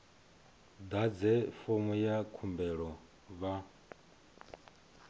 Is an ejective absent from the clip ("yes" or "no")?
yes